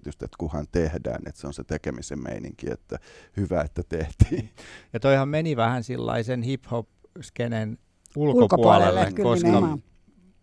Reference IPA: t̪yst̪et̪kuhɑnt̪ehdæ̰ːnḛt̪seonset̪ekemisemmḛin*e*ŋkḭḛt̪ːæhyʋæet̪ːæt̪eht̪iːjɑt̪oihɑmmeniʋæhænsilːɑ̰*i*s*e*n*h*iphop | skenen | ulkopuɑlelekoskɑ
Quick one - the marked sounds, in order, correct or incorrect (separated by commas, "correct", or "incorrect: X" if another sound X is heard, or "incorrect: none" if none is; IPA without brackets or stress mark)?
incorrect: i, correct, correct, correct